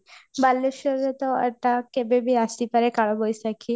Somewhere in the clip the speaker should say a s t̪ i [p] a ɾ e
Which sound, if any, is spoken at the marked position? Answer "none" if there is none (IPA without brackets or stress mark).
p